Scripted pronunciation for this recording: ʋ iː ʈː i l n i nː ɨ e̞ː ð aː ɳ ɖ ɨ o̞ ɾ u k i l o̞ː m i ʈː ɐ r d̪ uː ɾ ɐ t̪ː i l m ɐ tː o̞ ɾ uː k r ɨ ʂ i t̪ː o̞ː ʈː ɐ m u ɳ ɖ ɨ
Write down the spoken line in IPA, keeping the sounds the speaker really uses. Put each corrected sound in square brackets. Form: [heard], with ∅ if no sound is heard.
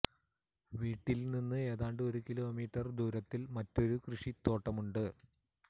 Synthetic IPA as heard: ʋ iː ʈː i l n i nː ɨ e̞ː ð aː ɳ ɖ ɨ o̞ ɾ u k i l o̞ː m [iː] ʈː ɐ r d̪ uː ɾ ɐ t̪ː i l m ɐ tː o̞ ɾ [u] k r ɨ ʂ i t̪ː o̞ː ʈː ɐ m u ɳ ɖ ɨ